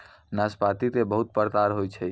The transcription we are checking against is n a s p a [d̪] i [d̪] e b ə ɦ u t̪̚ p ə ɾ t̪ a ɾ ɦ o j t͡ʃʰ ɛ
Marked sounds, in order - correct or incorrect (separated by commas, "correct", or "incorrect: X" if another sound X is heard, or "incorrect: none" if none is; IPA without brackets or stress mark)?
incorrect: t̪, incorrect: t̪